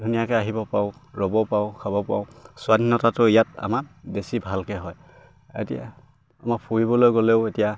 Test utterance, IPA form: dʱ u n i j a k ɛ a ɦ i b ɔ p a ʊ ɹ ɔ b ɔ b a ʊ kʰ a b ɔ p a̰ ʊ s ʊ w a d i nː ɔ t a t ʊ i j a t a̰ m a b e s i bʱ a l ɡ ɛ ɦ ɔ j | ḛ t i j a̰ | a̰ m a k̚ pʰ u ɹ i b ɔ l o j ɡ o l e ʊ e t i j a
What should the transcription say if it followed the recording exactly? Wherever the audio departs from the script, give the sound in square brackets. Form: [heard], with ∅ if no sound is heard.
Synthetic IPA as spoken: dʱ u n i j a k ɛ a ɦ i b ɔ p a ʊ ɹ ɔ b ɔ [p] a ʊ kʰ a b ɔ p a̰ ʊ s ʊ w a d i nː ɔ t a t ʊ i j a t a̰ m a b e s i bʱ a l [k] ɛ ɦ ɔ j | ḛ t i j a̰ | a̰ m a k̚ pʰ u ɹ i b ɔ l o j ɡ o l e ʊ e t i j a

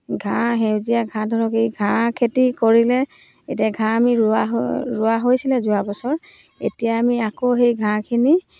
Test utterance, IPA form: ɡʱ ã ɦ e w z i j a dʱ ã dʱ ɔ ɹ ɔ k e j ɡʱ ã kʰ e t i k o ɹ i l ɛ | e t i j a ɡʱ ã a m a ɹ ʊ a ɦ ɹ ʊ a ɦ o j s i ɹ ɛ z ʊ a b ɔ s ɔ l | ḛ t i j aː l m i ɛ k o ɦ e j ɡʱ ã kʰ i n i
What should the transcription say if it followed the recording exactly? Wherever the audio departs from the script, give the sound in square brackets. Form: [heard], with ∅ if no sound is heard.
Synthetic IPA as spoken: ɡʱ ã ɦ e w z i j a [ɡʱ] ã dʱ ɔ ɹ ɔ k e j ɡʱ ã kʰ e t i k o ɹ i l ɛ | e t i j a ɡʱ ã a m [i] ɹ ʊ a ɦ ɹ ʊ a ɦ o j s i [l] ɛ z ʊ a b ɔ s ɔ [ɹ] | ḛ t i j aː [∅] m i [a] k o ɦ e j ɡʱ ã kʰ i n i

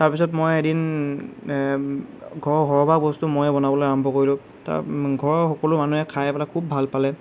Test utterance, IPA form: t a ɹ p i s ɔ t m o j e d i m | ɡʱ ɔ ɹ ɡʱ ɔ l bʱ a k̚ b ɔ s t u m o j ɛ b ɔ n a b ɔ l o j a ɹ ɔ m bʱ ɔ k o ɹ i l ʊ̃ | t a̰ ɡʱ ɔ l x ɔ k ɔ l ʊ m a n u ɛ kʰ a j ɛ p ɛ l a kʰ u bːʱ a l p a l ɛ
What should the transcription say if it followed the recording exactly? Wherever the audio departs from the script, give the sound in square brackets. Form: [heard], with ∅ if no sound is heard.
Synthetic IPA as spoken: t a ɹ p i s ɔ t m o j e d i [n] | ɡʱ ɔ ɹ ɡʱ ɔ [ɹ] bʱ a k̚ b ɔ s t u m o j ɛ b ɔ n a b ɔ l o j a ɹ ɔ m bʱ ɔ k o ɹ i l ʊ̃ | t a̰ ɡʱ ɔ [ɹ] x ɔ k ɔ l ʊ m a n u ɛ kʰ a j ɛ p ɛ l a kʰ u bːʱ a l p a l ɛ

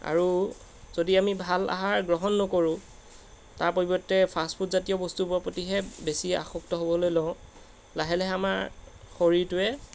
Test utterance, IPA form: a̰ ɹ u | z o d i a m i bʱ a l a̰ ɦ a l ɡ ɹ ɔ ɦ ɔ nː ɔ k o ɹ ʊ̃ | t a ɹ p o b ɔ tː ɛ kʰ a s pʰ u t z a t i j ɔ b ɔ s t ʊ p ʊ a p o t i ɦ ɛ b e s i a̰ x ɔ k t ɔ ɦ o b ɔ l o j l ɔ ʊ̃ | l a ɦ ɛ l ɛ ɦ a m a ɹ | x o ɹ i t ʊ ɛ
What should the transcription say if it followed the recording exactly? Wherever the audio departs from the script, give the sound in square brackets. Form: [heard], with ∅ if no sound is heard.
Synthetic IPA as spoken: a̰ ɹ u | z o d i a m i bʱ a l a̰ ɦ a [ɹ] ɡ ɹ ɔ ɦ ɔ nː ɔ k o ɹ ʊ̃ | t a ɹ p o b ɔ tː ɛ [pʰ] a s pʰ u t z a t i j ɔ b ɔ s t [u] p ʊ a p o t i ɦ ɛ b e s i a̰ x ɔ k t ɔ ɦ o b ɔ l o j l ɔ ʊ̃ | l a ɦ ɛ l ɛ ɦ a m a ɹ | x o ɹ i t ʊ ɛ

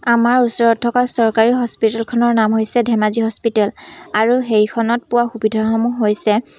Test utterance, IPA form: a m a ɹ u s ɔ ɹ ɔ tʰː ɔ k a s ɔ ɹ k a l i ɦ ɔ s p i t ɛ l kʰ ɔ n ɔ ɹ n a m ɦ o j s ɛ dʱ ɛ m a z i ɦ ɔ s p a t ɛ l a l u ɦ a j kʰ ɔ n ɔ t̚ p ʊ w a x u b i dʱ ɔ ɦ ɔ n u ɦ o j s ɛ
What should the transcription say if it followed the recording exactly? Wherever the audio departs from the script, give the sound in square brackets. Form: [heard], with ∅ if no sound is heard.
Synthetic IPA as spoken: a m a ɹ u s ɔ ɹ ɔ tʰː ɔ k a s ɔ ɹ k a [ɹ] i ɦ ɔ s p i t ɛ l kʰ ɔ n ɔ ɹ n a m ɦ o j s ɛ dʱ ɛ m a z i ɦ ɔ s p [i] t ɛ l a [ɹ] u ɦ [e] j kʰ ɔ n ɔ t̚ p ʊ w a x u b i dʱ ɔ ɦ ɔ [m] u ɦ o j s ɛ

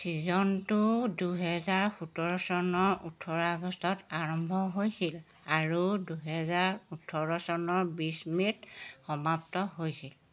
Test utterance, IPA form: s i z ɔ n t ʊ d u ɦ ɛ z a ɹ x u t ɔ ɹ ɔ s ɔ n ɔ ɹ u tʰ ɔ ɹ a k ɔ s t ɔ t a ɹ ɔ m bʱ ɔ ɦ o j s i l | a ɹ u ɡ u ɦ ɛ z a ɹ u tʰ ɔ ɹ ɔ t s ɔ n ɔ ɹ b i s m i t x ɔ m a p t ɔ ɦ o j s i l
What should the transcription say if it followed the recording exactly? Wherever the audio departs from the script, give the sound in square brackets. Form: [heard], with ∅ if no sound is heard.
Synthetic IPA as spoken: s i z ɔ n t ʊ d u ɦ ɛ z a ɹ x u t ɔ ɹ ɔ s ɔ n ɔ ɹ u tʰ ɔ ɹ a [ɡ] ɔ s t ɔ t a ɹ ɔ m bʱ ɔ ɦ o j s i l | a ɹ u [d] u ɦ ɛ z a ɹ u tʰ ɔ ɹ ɔ [∅] s ɔ n ɔ ɹ b i s m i t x ɔ m a p t ɔ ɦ o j s i l

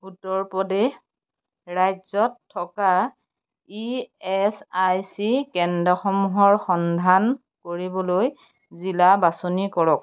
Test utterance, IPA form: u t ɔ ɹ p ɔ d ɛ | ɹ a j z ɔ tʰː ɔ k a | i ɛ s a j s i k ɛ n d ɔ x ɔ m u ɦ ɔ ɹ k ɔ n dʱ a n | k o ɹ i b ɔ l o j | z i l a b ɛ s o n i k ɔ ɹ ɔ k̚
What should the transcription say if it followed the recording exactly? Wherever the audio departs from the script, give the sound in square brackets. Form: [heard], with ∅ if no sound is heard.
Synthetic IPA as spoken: u t ɔ ɹ p ɔ d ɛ | ɹ a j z ɔ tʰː ɔ k a | i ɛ s a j s i k ɛ n d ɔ x ɔ m u ɦ ɔ ɹ [x] ɔ n dʱ a n | k o ɹ i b ɔ l o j | z i l a b [a] s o n i k ɔ ɹ ɔ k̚

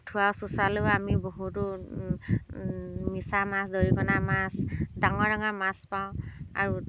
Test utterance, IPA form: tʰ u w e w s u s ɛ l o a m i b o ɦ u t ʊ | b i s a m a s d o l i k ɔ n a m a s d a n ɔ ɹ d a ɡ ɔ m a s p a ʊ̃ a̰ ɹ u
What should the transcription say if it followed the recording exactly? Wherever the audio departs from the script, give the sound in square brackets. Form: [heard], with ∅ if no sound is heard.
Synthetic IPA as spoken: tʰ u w [a] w s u s [a] l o a m i b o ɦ u t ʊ | [m] i s a m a s d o [ɹ] i k ɔ n a m a s d a [ŋ] ɔ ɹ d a [ŋ] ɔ m a s p a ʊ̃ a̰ ɹ u

